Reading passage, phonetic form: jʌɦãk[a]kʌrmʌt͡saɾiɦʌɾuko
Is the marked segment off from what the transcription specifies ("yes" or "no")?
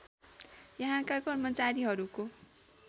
no